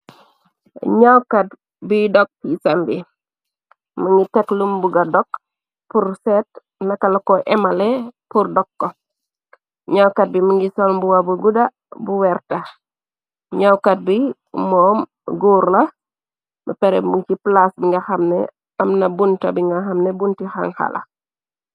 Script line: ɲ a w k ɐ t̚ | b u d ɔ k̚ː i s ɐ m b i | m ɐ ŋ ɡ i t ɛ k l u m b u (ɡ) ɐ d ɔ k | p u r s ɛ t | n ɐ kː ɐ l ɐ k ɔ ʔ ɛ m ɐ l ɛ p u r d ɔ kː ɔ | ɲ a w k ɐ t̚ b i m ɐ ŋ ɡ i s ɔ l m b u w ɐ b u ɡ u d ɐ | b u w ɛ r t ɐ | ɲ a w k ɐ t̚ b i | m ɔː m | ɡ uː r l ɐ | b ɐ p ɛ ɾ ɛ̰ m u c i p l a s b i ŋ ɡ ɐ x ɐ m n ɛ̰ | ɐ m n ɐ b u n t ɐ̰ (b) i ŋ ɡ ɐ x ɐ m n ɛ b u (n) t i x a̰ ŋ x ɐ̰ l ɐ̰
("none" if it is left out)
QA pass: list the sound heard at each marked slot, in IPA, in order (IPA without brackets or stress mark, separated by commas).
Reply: ɡ, b, n